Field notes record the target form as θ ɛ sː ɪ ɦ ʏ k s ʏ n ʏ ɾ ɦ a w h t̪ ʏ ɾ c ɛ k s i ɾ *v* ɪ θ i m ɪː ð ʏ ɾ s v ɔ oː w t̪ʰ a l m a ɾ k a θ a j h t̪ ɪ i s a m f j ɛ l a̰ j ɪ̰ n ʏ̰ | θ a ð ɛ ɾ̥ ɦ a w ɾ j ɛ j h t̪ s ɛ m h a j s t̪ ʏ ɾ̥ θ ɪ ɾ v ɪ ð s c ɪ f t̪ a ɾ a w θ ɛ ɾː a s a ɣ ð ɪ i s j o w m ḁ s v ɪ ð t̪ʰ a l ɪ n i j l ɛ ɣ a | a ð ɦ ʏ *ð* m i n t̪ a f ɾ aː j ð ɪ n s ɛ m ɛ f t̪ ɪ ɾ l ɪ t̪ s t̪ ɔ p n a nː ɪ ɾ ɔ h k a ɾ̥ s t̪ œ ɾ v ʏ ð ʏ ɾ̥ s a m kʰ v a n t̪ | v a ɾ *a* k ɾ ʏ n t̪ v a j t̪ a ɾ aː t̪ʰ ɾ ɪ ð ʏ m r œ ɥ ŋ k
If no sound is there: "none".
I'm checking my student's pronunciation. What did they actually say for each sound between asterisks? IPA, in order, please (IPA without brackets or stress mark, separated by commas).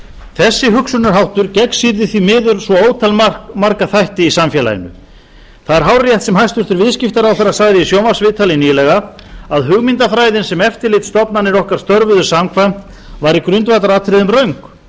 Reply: ð, ɣ, i